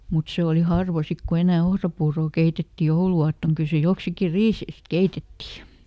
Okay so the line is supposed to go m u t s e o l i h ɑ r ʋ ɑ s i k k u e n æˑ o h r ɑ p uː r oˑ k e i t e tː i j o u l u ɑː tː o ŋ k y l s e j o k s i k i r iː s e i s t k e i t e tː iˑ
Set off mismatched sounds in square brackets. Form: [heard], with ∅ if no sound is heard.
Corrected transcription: m u t s e o l i h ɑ r ʋ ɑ s i k k u e n æˑ o h r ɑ p uː r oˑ k e i t e tː i j o u l u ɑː tː o ŋ k y l s e j o k s i k i r iː s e i s t k e i t e tː iˑ